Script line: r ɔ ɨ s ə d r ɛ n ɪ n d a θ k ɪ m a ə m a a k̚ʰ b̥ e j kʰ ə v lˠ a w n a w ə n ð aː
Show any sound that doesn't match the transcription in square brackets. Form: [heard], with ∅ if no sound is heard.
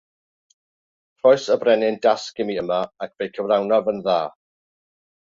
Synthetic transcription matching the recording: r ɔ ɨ s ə [b] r ɛ n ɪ n d a [s] k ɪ m [i] ə m a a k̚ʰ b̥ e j kʰ ə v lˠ a w n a [v] ə n ð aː